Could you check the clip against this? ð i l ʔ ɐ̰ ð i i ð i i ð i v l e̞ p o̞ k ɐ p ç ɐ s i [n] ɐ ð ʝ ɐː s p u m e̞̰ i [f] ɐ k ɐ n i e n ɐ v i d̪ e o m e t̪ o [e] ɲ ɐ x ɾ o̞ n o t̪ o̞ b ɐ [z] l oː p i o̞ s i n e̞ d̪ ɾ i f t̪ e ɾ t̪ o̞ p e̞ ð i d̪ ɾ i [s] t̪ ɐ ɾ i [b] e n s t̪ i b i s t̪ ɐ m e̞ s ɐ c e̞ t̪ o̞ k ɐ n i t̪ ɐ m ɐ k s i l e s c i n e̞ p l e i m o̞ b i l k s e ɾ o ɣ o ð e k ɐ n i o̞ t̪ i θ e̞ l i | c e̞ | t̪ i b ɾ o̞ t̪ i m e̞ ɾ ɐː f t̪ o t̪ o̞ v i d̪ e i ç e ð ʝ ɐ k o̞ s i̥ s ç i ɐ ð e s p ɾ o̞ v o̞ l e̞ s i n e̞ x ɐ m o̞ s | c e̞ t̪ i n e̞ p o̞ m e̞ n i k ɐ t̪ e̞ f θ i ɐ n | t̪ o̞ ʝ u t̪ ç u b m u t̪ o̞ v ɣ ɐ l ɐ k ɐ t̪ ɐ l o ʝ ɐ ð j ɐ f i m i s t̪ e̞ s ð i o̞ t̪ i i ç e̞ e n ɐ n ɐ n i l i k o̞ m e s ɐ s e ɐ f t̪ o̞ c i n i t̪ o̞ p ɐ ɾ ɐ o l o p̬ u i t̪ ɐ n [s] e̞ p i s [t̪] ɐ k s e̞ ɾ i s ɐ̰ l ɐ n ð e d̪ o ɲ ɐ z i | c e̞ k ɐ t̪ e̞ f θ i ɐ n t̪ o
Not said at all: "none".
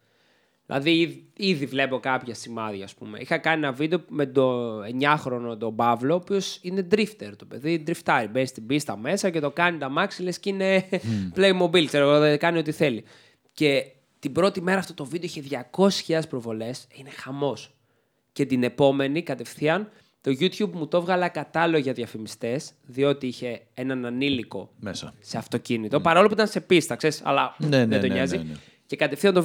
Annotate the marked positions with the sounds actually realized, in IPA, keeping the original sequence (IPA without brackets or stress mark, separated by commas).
m, x, e, v, f, b, s, t̪